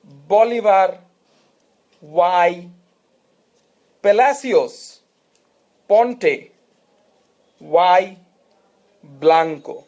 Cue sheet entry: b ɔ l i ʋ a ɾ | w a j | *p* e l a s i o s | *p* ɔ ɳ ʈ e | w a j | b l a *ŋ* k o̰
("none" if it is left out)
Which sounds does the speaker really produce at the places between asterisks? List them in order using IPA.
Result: p, p, ŋ

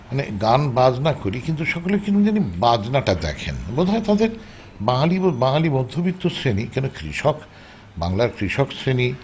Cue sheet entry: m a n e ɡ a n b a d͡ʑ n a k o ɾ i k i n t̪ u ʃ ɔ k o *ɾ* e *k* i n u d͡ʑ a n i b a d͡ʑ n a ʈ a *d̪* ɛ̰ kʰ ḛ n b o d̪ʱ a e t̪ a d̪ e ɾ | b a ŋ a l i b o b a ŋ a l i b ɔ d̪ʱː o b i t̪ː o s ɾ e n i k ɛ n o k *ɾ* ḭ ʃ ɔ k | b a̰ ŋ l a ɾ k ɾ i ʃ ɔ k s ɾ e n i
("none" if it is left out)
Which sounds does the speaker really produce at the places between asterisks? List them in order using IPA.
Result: l, k, d̪, ɾ

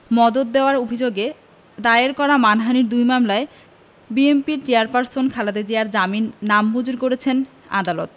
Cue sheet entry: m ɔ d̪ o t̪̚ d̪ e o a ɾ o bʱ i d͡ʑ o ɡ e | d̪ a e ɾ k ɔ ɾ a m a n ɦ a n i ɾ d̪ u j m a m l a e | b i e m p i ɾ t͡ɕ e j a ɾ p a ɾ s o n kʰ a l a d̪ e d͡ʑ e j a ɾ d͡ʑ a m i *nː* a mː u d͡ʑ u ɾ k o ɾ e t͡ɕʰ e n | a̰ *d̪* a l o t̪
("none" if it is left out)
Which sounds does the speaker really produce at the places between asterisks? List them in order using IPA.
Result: nː, d̪

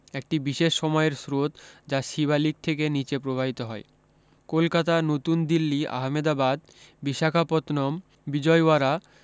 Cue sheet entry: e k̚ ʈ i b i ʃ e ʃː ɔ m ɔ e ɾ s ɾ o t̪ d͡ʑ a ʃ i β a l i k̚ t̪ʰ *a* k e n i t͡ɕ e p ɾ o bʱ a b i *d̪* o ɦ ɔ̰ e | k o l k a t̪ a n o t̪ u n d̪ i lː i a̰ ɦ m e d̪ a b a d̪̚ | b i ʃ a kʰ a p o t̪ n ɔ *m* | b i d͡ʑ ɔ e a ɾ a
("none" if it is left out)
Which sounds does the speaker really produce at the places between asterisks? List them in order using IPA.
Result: e, t̪, m

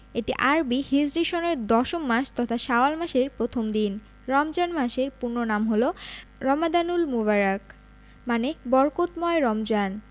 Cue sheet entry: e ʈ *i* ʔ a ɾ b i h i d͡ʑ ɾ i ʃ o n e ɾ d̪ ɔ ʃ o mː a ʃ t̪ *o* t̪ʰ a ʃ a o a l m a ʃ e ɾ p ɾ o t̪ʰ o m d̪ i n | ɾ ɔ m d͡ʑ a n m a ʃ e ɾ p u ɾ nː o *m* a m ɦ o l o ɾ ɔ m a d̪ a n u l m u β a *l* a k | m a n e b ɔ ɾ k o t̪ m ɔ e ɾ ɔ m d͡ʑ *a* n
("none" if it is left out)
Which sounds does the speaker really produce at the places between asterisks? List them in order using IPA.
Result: i, ɔ, n, ɾ, a

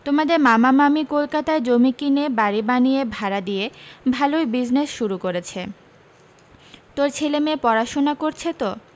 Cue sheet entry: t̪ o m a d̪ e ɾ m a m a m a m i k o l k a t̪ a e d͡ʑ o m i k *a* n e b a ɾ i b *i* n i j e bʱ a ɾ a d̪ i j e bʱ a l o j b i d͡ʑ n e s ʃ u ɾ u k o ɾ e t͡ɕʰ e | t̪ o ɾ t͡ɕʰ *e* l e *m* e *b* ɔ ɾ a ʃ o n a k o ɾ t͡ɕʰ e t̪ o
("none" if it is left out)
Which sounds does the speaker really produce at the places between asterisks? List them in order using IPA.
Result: i, a, e, m, p

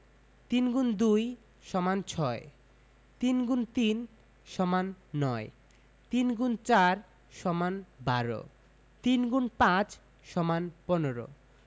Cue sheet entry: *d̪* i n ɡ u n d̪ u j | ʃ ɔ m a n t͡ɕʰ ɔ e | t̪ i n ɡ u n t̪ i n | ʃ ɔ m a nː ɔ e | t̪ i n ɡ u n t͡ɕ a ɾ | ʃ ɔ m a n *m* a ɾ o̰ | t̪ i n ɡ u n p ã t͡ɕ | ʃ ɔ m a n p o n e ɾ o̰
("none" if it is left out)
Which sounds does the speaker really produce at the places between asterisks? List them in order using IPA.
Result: t̪, b

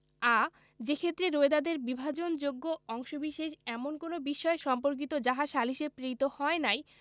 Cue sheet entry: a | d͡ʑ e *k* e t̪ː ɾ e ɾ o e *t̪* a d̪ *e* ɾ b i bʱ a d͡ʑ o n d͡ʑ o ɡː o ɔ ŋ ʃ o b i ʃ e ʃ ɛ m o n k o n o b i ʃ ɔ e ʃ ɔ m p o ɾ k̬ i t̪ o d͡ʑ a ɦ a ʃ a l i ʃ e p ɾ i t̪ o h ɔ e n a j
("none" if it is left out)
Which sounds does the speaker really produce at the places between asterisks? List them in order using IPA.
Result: kʰ, d̪, e

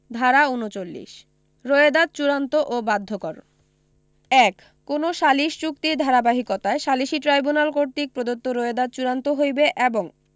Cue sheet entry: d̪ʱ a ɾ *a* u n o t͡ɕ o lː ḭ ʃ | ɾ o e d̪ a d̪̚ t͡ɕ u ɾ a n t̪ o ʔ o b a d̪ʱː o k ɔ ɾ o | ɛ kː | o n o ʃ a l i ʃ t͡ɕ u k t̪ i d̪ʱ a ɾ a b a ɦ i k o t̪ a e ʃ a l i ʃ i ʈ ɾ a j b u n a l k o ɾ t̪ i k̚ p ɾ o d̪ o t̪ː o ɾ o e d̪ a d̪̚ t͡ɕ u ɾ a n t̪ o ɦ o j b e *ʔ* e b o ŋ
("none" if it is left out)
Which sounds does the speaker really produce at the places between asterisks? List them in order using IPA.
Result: a, ʔ

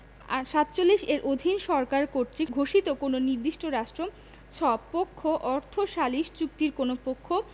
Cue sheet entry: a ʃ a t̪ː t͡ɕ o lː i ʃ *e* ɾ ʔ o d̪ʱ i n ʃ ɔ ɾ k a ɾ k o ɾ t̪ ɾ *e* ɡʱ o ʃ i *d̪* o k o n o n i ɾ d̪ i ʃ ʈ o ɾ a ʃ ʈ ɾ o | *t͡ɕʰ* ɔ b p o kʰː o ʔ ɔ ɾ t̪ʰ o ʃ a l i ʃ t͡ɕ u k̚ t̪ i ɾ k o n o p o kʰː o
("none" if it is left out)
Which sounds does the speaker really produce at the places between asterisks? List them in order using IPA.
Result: e, i, t̪, t͡ɕʰ

